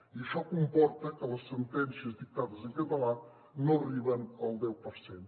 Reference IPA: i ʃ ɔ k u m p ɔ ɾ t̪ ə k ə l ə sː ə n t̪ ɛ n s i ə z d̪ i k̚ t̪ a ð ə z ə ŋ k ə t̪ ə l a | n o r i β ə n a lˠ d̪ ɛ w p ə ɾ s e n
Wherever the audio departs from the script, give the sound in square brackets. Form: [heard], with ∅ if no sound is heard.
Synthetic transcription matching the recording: i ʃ ɔ k u m p ɔ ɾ t̪ ə k ə l ə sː ə n t̪ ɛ n s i ə z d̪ i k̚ t̪ a ð ə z ə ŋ k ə t̪ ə l a | n o r i β ə n [ə] lˠ d̪ ɛ w p ə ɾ s e n